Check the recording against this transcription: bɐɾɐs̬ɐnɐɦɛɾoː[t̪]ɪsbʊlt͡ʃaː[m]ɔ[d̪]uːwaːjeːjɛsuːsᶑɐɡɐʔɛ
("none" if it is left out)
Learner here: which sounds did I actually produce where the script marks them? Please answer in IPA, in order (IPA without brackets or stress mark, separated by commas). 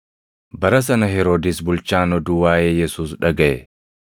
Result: d̪, n, d̪